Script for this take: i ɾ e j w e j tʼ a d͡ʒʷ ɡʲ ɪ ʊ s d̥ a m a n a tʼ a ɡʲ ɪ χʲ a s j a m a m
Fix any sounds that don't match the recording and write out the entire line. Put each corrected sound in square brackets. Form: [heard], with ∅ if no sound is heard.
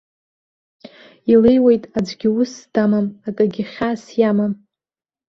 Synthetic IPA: i [l] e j w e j tʼ a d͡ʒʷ ɡʲ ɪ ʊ s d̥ a m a [m] a [kʼ] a ɡʲ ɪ χʲ a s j a m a m